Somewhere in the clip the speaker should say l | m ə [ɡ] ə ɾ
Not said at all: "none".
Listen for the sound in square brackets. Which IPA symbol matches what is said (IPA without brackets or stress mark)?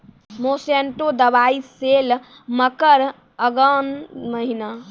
k